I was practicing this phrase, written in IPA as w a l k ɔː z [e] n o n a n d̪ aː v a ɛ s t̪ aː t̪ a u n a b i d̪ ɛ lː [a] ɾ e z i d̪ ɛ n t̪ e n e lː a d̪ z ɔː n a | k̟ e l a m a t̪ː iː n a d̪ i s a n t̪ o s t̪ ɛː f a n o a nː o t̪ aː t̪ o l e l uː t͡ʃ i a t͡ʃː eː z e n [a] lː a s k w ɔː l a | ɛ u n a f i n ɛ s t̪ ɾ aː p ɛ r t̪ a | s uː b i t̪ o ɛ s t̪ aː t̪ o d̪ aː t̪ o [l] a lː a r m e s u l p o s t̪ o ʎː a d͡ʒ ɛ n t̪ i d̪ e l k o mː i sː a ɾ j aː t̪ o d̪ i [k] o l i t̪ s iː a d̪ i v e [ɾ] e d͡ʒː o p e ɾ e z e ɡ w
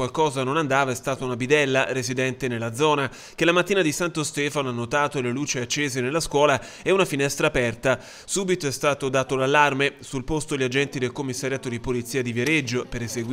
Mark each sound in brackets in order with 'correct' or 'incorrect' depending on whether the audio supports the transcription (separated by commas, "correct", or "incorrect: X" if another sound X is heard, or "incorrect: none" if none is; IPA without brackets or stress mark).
incorrect: a, correct, incorrect: e, correct, incorrect: p, correct